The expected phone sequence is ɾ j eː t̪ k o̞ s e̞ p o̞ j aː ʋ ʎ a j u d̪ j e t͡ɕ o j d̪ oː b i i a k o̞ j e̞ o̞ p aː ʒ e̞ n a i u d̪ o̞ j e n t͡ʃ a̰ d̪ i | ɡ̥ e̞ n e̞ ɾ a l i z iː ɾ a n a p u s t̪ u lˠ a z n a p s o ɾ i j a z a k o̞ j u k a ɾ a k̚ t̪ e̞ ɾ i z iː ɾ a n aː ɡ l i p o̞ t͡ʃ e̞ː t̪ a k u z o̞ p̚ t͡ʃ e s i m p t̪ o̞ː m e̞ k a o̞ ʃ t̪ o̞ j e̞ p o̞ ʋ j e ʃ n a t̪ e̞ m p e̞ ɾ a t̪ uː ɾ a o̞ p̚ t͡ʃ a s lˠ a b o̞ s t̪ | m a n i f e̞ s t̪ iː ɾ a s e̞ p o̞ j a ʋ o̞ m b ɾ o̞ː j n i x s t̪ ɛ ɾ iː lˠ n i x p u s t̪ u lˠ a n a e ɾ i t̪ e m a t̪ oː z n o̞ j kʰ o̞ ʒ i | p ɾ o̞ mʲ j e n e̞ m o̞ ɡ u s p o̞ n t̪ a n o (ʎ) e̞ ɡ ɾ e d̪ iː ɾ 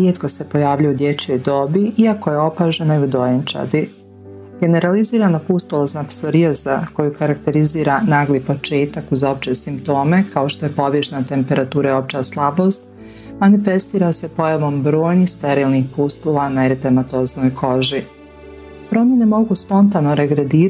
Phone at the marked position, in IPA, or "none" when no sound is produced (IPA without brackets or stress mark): ɾ